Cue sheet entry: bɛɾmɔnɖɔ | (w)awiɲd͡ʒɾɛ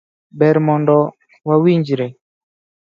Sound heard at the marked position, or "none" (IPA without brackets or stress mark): w